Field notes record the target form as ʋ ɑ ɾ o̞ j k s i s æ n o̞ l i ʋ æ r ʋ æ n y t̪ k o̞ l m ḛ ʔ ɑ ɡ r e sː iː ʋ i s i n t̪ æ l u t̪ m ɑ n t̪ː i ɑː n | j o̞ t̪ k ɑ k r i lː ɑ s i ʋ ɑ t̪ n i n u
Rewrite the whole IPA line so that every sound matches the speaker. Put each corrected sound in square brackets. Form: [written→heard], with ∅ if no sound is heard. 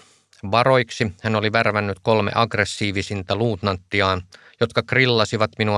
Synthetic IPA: ʋ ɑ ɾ o̞ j k s i [s→h] æ n o̞ l i ʋ æ r ʋ æ [n→nː] y t̪ k o̞ l m ḛ ʔ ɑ ɡ r e sː iː ʋ i s i n t̪ æ l [u→uː] t̪ [m→n] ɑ n t̪ː i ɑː n | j o̞ t̪ k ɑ k r i lː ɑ s i ʋ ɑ t̪ [n→m] i n u